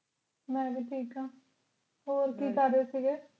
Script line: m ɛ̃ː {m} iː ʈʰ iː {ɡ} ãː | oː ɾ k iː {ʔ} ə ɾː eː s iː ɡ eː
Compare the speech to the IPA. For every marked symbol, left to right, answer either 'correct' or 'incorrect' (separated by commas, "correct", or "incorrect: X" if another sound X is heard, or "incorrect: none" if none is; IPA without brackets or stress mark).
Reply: incorrect: b, incorrect: k, incorrect: k